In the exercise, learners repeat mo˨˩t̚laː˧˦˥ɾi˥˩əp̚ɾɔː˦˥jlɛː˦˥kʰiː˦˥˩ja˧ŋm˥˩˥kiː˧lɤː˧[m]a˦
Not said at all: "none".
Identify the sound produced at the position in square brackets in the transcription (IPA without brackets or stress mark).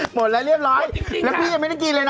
n